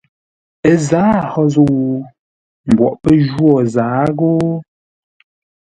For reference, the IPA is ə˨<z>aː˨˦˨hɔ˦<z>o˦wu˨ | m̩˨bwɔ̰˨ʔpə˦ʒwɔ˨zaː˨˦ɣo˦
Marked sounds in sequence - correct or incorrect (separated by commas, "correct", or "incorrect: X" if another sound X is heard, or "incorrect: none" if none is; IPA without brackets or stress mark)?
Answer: correct, correct